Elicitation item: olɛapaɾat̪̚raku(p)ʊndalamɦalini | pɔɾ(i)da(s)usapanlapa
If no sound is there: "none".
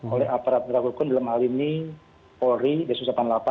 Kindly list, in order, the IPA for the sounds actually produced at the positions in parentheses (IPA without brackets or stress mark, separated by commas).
k, i, s